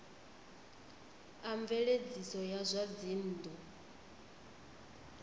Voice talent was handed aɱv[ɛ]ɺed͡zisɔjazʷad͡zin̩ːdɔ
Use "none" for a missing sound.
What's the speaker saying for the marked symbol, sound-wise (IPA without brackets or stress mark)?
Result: ɛ